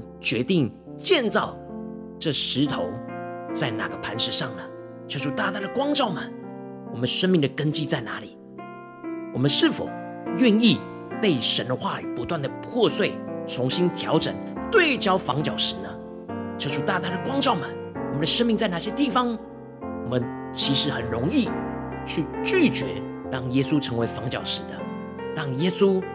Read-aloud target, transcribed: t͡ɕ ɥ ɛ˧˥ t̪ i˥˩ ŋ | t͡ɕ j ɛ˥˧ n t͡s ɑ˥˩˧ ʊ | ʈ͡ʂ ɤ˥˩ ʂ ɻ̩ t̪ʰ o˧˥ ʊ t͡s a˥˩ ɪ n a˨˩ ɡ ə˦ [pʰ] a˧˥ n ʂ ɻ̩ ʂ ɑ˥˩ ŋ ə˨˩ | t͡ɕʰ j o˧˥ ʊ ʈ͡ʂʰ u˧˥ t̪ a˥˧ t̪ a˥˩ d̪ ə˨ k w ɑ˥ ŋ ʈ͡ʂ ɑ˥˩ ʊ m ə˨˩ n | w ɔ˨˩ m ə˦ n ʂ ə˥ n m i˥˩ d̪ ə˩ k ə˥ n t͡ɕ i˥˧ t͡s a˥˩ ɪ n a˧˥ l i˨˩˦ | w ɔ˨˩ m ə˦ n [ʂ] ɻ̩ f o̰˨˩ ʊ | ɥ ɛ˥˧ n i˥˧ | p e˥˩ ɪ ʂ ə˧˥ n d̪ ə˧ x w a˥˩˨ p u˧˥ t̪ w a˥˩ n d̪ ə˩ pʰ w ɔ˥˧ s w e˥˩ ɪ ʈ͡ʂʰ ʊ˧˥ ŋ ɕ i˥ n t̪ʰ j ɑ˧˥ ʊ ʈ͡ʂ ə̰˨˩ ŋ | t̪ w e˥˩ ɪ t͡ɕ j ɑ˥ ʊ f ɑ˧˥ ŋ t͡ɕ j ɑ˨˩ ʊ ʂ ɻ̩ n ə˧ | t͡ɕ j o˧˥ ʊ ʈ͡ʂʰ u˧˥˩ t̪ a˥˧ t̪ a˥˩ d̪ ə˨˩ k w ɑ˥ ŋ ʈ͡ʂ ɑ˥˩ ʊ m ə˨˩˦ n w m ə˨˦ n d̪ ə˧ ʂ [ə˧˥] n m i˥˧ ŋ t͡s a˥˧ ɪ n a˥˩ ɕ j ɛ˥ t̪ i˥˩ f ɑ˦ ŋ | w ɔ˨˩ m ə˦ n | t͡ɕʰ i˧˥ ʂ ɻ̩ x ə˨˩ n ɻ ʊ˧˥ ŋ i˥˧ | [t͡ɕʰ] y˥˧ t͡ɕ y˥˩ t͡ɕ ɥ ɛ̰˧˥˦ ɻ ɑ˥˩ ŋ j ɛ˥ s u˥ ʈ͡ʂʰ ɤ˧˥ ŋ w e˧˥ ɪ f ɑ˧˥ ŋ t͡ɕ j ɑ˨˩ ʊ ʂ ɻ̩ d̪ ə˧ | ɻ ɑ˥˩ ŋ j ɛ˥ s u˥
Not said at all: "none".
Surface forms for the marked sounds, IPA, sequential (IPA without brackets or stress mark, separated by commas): pʰ, ʂ, ə˥, t͡ɕʰ